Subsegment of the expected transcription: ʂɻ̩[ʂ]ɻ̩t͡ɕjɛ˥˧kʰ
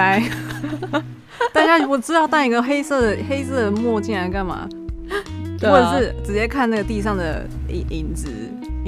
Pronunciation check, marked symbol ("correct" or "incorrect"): incorrect